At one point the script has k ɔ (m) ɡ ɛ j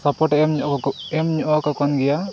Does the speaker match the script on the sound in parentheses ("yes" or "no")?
no